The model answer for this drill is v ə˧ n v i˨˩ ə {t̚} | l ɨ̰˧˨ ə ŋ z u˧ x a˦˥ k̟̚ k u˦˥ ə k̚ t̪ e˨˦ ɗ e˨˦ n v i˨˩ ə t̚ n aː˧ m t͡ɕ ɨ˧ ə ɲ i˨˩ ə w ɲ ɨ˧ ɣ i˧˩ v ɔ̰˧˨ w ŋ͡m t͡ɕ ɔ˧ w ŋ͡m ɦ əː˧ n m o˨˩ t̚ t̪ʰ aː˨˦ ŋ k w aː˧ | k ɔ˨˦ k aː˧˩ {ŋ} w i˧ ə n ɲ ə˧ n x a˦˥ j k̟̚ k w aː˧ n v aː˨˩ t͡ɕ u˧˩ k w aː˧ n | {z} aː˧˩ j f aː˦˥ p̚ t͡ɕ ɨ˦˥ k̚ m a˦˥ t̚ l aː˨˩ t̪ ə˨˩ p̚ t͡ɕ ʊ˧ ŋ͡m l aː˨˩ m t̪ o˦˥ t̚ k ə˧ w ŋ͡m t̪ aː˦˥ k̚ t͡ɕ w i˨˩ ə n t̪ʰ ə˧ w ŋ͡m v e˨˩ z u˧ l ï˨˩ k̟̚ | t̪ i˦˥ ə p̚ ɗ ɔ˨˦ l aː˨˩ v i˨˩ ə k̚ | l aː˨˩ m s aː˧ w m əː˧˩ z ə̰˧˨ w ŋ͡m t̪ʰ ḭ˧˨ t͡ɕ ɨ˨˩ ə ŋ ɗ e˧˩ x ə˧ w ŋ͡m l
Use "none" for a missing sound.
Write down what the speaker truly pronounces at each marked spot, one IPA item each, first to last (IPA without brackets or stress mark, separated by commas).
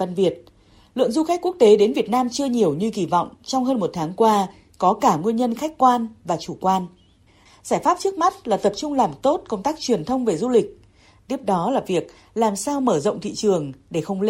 t̚, ŋ, z